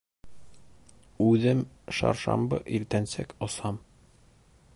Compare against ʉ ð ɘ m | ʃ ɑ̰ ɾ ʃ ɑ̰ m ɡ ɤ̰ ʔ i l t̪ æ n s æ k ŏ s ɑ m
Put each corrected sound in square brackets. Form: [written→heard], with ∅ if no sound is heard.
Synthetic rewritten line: ʉ ð ɘ m | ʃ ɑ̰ ɾ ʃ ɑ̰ m [ɡ→b] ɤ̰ ʔ i [l→ɾ] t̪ æ n s æ k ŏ s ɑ m